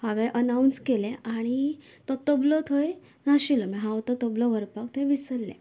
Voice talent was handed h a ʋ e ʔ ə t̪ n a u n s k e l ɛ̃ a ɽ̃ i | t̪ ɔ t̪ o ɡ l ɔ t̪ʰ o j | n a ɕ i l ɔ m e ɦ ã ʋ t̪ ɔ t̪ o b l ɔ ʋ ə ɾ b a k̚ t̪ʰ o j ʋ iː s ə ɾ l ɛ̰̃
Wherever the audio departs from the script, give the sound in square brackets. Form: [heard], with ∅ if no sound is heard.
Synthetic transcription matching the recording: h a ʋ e ʔ ə [∅] n a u n s k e l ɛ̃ a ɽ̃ i | t̪ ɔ t̪ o [b] l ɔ t̪ʰ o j | n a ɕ i l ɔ m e ɦ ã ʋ t̪ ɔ t̪ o b l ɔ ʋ ə ɾ [p] a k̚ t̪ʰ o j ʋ [i] s ə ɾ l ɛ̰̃